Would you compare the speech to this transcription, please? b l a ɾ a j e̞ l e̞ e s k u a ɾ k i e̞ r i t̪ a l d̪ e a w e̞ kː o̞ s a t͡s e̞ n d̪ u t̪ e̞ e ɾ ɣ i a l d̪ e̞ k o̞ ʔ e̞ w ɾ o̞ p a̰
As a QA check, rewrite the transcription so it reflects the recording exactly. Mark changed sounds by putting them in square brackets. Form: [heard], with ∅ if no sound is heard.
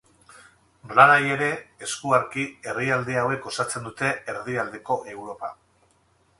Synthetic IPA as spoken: b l a ɾ a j e̞ [ɾ] e̞ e s k u a ɾ k i e̞ r i [∅] a l d̪ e a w e̞ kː o̞ s a t͡s e̞ n d̪ u t̪ e̞ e ɾ [ð] i a l d̪ e̞ k o̞ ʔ e̞ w ɾ o̞ p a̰